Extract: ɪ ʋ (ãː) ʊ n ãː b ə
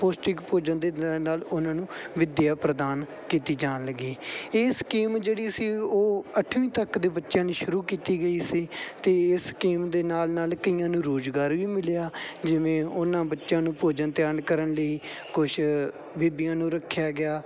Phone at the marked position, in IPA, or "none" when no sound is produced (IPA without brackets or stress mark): ẽː